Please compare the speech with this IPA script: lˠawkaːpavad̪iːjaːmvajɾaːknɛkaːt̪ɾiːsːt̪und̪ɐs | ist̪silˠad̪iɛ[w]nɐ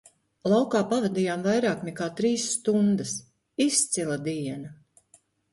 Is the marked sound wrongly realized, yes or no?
yes